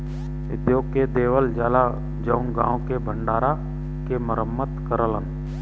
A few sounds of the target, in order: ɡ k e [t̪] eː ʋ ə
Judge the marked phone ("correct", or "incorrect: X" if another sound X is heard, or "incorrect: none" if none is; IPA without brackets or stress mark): incorrect: d̪